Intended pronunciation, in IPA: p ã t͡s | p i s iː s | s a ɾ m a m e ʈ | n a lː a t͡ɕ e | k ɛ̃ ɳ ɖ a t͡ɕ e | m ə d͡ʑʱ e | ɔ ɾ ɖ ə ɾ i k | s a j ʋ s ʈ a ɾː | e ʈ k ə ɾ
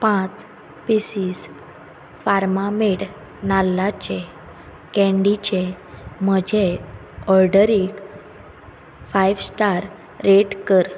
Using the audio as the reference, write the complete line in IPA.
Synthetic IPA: p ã t͡s | p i s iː s | f a ɾ m a m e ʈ | n a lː a t͡ɕ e | k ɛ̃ ɳ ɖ i t͡ɕ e | m ə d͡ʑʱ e | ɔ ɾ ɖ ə ɾ i k | f a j ʋ s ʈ a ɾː | e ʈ k ə ɾ

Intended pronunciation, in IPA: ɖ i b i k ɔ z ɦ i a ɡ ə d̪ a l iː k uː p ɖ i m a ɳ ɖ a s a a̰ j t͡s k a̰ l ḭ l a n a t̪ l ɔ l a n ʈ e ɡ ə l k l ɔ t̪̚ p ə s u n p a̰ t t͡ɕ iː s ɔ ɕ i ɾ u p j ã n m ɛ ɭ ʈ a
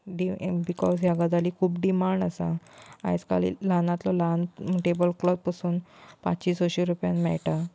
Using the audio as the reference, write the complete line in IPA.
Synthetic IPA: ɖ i b i k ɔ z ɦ j a ɡ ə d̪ a l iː kʰ uː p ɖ i m a ɳ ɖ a s a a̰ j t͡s k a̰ l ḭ l a n a t̪ l ɔ l a n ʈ e b ə l k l ɔ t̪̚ p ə s uː n p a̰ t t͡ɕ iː s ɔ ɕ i ɾ u p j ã n m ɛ ɭ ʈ a

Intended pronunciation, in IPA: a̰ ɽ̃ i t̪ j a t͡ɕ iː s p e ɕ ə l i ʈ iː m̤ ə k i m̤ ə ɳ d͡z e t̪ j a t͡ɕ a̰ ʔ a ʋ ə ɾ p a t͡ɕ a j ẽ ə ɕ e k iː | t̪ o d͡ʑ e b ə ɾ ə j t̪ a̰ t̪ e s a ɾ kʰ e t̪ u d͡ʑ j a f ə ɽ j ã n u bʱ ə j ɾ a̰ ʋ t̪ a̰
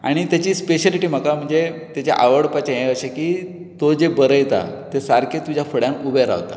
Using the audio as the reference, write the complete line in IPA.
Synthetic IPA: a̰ ɽ̃ i t̪ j a t͡ɕ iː s p e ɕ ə l i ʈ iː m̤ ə k a m̤ ə ɳ d͡z e t̪ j a t͡ɕ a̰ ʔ a ʋ ə ɽ p a t͡ɕ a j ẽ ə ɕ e k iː | t̪ o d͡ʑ e b ə ɾ ə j t̪ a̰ t̪ e s a ɾ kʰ e t̪ u d͡ʑ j a f ə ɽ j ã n u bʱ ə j ɾ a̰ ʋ t̪ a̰

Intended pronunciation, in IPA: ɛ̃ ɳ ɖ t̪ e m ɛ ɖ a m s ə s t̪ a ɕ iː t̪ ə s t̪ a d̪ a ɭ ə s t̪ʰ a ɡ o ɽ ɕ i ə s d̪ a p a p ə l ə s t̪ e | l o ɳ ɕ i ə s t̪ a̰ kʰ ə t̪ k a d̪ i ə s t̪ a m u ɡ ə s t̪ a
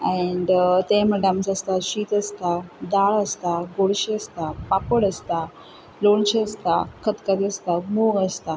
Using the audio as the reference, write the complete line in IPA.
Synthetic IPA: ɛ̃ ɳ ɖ t̪ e m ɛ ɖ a m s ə s t̪ a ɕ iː t̪ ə s t̪ a d̪ a ɭ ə s t̪ a ɡ o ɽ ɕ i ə s t̪ a p a p ə ɽ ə s t̪ a | l o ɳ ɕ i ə s t̪ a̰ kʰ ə t̪ k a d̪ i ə s t̪ a m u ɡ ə s t̪ a

